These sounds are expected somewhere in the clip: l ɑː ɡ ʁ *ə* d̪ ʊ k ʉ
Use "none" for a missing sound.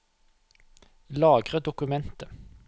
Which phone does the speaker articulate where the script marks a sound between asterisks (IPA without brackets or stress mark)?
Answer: ə